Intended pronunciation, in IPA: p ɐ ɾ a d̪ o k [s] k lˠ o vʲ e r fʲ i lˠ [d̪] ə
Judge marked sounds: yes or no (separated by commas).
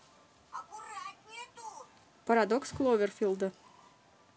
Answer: yes, yes